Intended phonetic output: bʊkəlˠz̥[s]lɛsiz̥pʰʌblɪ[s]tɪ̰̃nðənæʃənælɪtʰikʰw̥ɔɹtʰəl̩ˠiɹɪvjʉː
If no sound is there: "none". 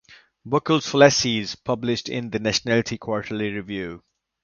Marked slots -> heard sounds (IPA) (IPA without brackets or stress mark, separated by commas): f, ʃ